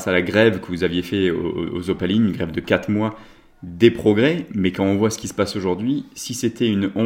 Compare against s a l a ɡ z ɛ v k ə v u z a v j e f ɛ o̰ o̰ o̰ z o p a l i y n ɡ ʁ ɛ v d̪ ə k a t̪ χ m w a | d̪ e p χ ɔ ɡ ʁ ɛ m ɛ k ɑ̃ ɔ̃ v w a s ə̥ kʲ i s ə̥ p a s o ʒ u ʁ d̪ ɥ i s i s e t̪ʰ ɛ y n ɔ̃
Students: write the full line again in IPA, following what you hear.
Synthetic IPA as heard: s a l a ɡ ʁ ɛ v k ə v u z a v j e f ɛ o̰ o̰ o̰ z o p a l i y n ɡ ʁ ɛ v d̪ ə k a t̪ χ m w a | d̪ e p χ ɔ ɡ ʁ ɛ m ɛ k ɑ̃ ɔ̃ v w a s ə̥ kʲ i s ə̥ p a s o ʒ u ʁ d̪ ɥ i s i s e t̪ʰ ɛ y n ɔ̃